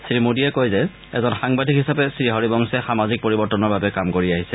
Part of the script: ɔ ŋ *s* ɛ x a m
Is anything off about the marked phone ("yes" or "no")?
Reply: no